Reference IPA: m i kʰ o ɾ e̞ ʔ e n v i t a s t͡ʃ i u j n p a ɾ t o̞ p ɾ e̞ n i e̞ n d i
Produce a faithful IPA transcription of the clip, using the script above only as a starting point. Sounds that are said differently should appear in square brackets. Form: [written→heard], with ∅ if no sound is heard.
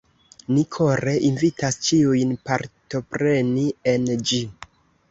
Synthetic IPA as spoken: [m→n] i kʰ o ɾ e̞ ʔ [e→i] n v i t a s t͡ʃ i u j n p a ɾ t o̞ p ɾ e̞ n i e̞ n [d→d͡ʒ] i